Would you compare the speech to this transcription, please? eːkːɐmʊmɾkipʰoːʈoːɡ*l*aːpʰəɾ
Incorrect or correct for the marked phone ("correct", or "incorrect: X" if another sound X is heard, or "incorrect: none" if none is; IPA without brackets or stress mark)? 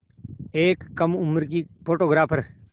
incorrect: ɾ